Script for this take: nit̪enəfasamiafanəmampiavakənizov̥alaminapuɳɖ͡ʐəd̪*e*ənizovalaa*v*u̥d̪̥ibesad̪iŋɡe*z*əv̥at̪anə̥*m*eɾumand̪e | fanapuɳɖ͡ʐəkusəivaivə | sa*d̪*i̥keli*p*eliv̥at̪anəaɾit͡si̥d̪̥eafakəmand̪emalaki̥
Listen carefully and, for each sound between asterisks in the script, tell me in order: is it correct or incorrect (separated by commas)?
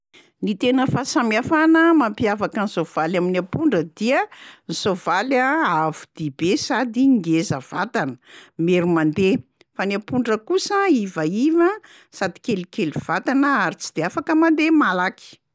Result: incorrect, correct, correct, correct, correct, incorrect